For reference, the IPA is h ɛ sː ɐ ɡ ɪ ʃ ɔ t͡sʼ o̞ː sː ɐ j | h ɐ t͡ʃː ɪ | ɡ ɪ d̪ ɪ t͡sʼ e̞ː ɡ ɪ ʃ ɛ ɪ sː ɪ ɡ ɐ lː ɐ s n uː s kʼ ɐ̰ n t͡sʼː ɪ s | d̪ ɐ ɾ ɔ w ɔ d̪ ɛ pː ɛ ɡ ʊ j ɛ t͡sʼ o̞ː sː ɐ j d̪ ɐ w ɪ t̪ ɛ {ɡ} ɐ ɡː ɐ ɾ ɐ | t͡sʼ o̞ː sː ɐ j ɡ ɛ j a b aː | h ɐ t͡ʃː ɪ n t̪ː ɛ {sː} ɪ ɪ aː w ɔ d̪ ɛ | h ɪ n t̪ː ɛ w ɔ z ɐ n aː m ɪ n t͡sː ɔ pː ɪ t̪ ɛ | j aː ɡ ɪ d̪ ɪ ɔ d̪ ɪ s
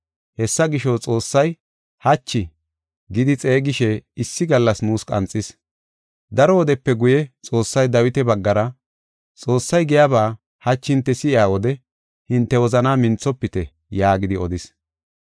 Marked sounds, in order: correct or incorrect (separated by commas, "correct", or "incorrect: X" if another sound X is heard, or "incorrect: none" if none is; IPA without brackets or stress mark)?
incorrect: b, incorrect: s